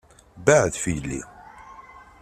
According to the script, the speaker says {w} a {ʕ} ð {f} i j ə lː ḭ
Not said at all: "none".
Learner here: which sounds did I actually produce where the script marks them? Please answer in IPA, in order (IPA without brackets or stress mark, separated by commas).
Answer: b, ʕ, f